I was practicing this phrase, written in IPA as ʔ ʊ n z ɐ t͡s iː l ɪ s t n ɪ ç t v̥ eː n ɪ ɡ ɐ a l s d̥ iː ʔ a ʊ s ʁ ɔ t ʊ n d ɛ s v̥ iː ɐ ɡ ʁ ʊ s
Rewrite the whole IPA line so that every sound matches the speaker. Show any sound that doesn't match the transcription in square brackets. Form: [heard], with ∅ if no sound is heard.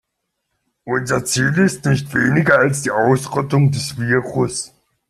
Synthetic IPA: ʔ ʊ n z ɐ t͡s iː l ɪ s t n ɪ ç t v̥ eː n ɪ ɡ ɐ a l s d̥ iː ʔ a ʊ s ʁ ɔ t ʊ [ŋ] d ɛ s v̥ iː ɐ [∅] ʁ ʊ s